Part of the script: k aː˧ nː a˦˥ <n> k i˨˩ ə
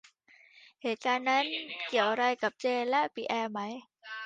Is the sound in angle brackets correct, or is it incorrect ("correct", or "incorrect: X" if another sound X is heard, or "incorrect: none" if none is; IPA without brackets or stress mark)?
correct